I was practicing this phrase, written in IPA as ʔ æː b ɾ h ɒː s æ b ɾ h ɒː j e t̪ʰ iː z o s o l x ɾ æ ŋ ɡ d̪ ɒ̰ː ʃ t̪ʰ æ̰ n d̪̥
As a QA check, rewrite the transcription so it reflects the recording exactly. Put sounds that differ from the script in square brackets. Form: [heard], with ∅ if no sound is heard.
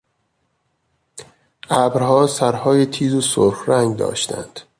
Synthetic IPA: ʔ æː b ɾ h ɒː s æ [∅] ɾ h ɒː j e t̪ʰ iː z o s o [ɾ] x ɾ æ ŋ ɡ d̪ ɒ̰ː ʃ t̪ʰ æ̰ n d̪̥